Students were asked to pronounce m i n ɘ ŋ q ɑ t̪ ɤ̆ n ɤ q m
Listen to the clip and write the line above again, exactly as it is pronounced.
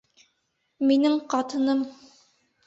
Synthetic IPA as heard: m i n ɘ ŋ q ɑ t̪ ɤ̆ n ɤ m